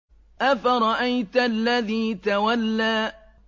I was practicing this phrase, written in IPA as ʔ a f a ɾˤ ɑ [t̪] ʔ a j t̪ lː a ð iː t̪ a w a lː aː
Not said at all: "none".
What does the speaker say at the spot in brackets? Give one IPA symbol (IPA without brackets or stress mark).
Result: none